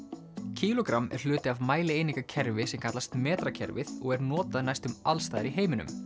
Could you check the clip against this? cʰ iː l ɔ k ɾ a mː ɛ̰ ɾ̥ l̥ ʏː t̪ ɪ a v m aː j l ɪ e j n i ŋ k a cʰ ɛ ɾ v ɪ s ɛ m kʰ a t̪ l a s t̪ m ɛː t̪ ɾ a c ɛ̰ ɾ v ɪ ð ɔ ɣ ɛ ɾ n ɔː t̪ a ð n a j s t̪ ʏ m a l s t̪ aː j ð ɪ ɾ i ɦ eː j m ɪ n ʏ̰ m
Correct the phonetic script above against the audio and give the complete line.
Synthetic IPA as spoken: cʰ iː l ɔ k ɾ a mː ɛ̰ ɾ̥ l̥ ʏː t̪ ɪ a v m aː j l ɪ e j n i ŋ k a cʰ ɛ ɾ v ɪ s ɛ m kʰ a t̪ l a s t̪ m ɛː t̪ ɾ a cʰ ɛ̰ ɾ v ɪ ð ɔ ɣ ɛ ɾ n ɔː t̪ a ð n a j s t̪ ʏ m a l s t̪ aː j ð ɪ ɾ i ɦ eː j m ɪ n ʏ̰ m